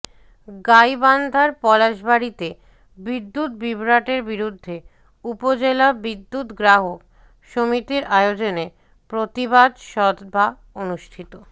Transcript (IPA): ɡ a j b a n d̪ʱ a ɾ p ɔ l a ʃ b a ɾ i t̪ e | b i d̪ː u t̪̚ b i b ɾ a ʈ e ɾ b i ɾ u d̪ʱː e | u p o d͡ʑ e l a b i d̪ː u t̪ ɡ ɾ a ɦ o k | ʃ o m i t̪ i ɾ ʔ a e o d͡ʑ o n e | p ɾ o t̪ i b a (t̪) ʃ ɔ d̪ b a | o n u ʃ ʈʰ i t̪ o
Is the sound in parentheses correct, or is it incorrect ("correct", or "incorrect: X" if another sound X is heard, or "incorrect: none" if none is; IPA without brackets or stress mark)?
incorrect: d̪